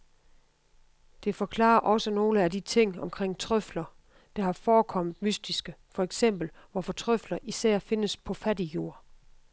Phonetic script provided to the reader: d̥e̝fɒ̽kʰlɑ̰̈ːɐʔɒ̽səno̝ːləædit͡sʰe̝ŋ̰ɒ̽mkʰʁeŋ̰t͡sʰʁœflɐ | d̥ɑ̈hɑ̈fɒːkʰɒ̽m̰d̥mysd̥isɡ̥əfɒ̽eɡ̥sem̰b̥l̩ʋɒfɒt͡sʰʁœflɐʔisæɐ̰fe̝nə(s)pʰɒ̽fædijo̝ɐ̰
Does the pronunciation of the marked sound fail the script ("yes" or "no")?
no